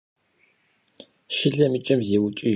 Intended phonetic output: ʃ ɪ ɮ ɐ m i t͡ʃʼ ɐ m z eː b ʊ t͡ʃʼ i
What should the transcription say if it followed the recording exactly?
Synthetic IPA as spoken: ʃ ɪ ɮ ɐ m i t͡ʃʼ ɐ m z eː w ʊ t͡ʃʼ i